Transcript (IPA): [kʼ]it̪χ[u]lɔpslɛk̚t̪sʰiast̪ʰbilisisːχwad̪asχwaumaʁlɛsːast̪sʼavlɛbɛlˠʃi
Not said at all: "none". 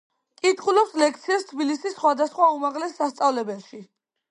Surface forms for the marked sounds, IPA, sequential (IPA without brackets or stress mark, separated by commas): kʼ, u